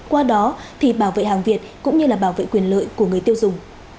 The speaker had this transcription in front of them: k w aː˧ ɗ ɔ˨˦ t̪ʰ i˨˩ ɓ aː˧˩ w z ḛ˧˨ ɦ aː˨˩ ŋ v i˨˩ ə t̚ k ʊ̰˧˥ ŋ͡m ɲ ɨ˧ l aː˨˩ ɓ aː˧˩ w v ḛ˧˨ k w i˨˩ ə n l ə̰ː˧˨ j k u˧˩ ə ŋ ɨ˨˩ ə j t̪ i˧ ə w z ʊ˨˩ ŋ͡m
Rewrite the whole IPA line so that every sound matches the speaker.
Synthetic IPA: k w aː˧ ɗ ɔ˨˦ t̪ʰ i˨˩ ɓ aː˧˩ w v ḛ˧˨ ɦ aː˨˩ ŋ v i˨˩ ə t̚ k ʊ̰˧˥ ŋ͡m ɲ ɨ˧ l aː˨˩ ɓ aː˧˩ w v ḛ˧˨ k w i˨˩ ə n l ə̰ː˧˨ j k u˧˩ ə ŋ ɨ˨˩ ə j t̪ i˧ ə w z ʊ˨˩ ŋ͡m